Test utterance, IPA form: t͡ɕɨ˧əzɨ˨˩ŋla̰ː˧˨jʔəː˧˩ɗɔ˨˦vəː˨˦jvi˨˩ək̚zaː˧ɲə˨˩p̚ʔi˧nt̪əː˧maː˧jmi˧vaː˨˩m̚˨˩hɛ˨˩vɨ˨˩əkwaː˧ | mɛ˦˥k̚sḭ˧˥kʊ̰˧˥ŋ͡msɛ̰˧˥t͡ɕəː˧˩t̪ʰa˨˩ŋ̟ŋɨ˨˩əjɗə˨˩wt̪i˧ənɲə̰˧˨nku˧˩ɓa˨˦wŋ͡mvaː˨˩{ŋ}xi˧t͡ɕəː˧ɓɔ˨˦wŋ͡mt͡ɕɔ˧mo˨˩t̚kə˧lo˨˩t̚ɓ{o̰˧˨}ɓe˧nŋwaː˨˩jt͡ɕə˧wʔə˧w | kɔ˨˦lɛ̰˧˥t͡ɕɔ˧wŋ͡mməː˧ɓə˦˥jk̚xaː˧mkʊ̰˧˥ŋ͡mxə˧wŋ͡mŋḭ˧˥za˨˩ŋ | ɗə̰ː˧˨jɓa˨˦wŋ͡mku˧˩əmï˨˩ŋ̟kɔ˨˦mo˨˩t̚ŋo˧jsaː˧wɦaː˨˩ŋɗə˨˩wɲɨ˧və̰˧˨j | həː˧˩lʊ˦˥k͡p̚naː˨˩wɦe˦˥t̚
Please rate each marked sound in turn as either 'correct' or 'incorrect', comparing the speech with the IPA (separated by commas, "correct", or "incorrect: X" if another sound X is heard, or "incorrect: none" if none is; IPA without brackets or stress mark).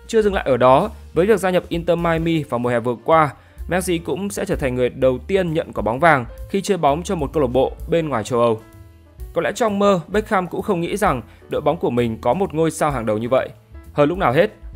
correct, correct